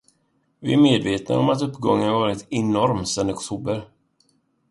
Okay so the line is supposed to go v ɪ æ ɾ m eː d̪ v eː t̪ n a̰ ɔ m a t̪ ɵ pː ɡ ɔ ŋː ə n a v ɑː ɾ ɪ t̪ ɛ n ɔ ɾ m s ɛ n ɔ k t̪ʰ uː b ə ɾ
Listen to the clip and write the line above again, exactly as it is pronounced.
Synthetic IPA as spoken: v ɪ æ ɾ m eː d̪ v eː t̪ n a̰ ɔ m a t̪ ɵ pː ɡ ɔ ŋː ə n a v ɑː ɾ ɪ t̪ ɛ n ɔ ɾ m s ɛ n ɔ k t̪ʰ uː b ə ɾ